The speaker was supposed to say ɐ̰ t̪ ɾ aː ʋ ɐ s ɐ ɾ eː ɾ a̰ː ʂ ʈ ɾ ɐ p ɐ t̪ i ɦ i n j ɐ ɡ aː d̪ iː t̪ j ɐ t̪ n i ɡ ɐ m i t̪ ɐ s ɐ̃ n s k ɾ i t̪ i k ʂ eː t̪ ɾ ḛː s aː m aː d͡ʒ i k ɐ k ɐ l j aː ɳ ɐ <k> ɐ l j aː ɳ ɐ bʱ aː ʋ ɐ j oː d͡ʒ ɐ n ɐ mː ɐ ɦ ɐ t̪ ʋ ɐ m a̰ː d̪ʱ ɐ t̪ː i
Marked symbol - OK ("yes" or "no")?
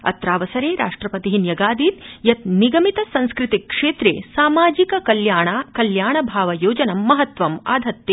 yes